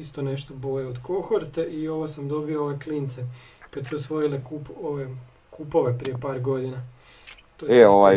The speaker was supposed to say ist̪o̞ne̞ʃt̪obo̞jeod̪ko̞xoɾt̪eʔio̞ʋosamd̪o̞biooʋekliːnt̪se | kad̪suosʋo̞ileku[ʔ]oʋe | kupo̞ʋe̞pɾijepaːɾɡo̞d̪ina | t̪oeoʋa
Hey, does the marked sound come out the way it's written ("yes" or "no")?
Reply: no